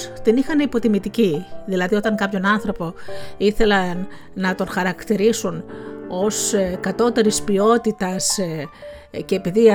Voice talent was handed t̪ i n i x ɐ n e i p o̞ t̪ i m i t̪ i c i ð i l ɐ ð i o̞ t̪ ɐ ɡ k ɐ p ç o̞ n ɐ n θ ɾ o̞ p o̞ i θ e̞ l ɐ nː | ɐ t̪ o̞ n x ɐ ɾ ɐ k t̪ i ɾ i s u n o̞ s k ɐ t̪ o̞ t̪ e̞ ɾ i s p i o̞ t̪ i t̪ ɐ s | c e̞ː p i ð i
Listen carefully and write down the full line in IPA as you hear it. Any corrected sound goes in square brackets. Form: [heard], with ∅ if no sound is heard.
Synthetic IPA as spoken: t̪ i n i x ɐ n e i p o̞ t̪ i m i t̪ i c i ð i l ɐ ð i o̞ t̪ ɐ [ŋ] k ɐ p ç o̞ n ɐ n θ ɾ o̞ p o̞ i θ e̞ l ɐ nː | ɐ t̪ o̞ n x ɐ ɾ ɐ k t̪ i ɾ i s u n o̞ s k ɐ t̪ o̞ t̪ e̞ ɾ i s p i o̞ t̪ i t̪ ɐ s | c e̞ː p i ð i